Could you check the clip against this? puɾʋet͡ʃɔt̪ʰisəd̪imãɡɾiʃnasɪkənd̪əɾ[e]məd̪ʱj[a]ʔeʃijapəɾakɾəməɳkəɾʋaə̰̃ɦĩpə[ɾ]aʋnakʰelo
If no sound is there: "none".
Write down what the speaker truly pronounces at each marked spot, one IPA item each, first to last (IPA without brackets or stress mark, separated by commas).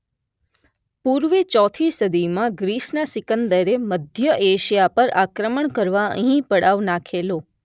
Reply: e, ə, ɽ